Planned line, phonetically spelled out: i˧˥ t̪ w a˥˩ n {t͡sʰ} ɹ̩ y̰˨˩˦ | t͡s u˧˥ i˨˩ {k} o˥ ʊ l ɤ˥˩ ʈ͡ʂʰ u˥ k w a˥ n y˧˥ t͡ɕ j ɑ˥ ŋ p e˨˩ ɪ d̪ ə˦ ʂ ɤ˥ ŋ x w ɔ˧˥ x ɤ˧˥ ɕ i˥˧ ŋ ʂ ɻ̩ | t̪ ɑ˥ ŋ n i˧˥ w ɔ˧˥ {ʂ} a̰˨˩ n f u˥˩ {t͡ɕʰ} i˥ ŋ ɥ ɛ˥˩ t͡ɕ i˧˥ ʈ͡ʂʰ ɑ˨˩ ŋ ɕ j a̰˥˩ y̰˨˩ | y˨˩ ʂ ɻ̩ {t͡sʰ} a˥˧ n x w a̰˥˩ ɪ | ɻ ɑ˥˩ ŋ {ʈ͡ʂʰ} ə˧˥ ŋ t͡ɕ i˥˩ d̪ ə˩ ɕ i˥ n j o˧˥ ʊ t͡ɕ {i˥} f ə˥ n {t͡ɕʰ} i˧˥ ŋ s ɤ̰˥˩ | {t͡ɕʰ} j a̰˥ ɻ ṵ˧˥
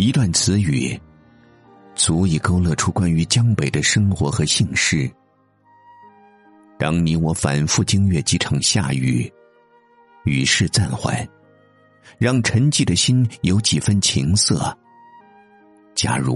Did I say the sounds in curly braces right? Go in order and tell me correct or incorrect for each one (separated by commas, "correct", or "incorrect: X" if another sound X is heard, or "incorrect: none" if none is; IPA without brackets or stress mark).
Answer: correct, correct, incorrect: f, incorrect: t͡ɕ, incorrect: t͡s, correct, incorrect: i˨˩, correct, incorrect: t͡ɕ